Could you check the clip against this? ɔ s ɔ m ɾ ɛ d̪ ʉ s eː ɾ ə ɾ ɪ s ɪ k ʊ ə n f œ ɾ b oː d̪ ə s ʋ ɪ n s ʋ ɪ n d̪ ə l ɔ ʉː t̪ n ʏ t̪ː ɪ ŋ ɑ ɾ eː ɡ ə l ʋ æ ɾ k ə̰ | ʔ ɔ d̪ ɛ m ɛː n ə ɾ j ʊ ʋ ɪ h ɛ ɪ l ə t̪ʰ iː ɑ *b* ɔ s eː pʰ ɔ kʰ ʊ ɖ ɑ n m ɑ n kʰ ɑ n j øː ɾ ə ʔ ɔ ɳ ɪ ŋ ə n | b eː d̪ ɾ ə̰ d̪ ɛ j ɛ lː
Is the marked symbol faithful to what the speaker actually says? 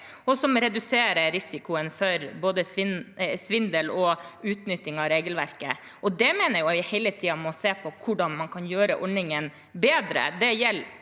no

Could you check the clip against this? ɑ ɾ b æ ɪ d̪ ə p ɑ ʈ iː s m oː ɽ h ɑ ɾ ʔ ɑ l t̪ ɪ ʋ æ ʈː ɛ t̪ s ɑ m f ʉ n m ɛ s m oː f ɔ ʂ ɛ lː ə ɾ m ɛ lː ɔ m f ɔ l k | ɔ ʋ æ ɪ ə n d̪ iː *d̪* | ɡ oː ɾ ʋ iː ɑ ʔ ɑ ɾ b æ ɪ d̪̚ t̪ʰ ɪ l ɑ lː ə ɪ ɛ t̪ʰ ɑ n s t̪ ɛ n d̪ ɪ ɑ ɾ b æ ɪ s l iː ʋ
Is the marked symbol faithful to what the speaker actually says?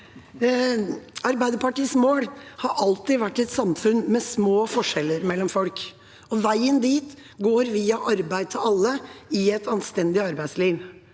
no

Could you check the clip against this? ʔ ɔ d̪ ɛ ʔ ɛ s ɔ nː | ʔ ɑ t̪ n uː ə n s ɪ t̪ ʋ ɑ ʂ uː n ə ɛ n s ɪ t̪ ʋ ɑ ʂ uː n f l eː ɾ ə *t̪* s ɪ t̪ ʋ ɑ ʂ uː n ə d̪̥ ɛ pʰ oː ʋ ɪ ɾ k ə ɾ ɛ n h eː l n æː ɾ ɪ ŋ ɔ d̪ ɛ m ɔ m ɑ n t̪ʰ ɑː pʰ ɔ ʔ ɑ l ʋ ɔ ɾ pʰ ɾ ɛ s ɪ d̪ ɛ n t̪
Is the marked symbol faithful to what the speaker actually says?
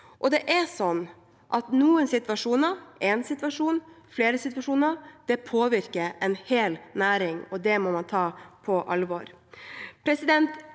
no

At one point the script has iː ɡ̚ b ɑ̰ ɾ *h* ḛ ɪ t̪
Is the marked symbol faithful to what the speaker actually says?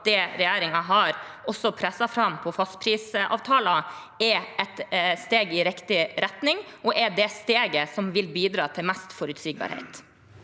yes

